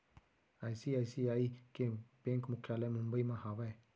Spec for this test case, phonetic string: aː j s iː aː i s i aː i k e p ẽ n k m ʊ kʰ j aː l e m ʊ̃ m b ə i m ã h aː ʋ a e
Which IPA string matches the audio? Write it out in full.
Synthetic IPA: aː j s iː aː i s i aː i k e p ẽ ŋ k m ʊ kʰ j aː l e m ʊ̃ m b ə i m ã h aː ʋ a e